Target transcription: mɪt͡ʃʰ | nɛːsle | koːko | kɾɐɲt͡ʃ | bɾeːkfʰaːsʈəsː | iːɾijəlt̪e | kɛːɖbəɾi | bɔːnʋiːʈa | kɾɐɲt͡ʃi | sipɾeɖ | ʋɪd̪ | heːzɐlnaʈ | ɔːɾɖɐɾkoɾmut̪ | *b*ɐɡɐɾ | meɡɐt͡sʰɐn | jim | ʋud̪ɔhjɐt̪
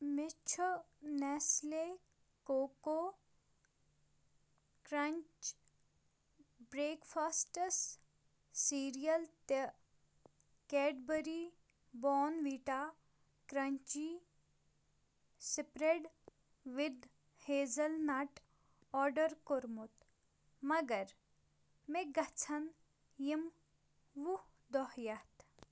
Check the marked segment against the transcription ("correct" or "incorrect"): incorrect